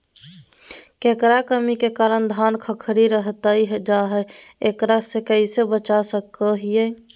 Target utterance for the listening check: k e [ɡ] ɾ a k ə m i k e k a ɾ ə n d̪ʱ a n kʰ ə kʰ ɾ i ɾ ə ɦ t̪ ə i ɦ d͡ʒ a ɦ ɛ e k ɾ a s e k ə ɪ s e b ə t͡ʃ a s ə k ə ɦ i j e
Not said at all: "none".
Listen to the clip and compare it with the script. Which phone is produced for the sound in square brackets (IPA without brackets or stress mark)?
k